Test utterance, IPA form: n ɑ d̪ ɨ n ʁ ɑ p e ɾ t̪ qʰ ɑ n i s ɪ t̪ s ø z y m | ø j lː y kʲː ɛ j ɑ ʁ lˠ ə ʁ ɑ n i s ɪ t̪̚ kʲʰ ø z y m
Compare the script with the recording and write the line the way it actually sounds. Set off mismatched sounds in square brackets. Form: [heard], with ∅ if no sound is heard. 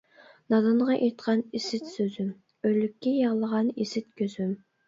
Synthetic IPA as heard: n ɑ d̪ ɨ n ʁ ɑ [ʔ] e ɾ t̪ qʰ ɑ n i s ɪ t̪ s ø z y m | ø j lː y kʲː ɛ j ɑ ʁ lˠ ə ʁ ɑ n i s ɪ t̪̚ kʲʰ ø z y m